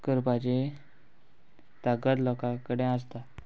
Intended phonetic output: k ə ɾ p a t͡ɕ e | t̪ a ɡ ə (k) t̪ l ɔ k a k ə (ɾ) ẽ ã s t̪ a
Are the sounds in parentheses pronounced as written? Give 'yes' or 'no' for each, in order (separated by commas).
no, no